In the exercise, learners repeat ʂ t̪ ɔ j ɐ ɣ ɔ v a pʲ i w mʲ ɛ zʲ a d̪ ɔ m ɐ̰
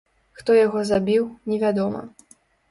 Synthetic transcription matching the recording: x t̪ ɔ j a ɣ ɔ z a bʲ i w nʲ ɛ vʲ a d̪ ɔ m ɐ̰